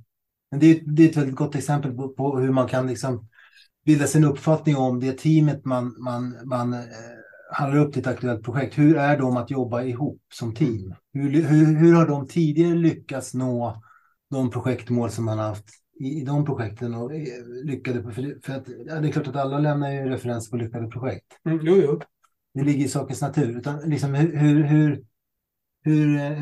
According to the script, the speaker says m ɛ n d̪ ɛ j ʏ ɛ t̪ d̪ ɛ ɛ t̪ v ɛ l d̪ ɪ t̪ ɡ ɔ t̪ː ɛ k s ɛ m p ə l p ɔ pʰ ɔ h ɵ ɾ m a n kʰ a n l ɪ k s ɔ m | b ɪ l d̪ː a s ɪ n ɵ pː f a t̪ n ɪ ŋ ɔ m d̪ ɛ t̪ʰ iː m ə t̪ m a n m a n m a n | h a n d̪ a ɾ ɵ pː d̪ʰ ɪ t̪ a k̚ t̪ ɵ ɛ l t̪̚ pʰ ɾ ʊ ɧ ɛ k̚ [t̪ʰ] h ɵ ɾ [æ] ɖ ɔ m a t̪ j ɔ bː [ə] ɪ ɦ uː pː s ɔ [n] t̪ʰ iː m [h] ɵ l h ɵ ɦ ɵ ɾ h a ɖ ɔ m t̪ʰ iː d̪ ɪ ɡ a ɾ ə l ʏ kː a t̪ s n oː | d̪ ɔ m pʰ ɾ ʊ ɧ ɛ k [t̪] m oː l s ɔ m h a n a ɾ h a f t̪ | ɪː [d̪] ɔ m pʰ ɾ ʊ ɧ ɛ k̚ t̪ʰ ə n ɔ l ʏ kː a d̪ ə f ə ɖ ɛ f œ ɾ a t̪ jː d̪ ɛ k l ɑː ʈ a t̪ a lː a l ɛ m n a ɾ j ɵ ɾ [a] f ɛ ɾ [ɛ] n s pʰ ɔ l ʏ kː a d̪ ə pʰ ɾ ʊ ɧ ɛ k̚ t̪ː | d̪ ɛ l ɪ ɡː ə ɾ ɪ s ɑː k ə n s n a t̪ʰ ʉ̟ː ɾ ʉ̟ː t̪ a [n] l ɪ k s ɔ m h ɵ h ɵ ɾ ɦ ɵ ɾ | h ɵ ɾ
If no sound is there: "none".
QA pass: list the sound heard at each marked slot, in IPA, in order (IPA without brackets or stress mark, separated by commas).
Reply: t̪, æ, a, m, h, t̪, d̪, ɛ, ɛ, n